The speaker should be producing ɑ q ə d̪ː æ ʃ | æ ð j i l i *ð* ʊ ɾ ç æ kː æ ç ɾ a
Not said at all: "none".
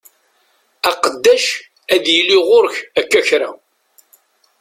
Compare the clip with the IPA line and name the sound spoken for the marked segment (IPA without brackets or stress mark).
ʁ